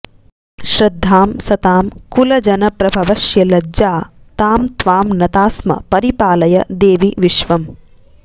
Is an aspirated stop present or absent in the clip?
absent